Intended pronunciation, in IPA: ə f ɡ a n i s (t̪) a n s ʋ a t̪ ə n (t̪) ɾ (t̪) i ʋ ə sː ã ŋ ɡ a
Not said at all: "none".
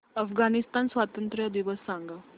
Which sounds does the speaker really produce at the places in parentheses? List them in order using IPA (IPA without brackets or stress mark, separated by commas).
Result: t̪, t̪, d̪